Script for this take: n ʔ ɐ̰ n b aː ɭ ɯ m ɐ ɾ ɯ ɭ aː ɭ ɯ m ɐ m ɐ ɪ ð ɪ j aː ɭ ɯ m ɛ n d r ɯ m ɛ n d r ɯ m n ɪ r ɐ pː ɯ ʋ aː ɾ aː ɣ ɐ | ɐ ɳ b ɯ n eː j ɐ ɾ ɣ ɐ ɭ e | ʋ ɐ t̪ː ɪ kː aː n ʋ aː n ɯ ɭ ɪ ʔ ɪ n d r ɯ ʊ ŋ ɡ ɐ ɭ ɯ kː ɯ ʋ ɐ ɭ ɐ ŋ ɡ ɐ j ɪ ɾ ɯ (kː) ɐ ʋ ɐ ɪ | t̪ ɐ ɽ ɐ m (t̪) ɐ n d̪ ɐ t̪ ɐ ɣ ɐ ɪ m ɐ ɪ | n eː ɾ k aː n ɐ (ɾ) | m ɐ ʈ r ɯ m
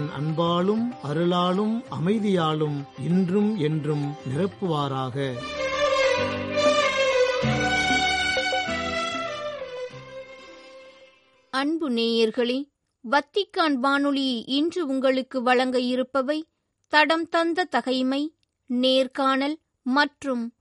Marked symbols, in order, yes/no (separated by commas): no, yes, no